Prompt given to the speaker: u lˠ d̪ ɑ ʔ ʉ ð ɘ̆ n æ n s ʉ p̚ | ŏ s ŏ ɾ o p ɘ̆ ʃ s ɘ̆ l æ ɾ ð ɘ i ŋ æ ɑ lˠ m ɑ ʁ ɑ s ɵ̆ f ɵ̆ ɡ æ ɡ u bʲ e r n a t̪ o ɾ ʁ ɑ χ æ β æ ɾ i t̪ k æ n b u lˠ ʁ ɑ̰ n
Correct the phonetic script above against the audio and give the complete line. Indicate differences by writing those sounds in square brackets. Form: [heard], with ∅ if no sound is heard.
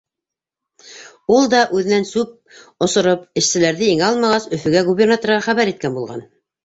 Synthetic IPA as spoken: u lˠ d̪ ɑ ʔ ʉ ð ɘ̆ n æ n s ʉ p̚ | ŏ s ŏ ɾ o p ɘ̆ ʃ s ɘ̆ l æ ɾ ð ɘ i ŋ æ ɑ lˠ m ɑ ʁ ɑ s ɵ̆ f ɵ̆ ɡ æ ɡ u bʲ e r n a t̪ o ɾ ʁ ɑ χ æ β æ ɾ i t̪ k æ n b u lˠ ʁ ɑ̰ n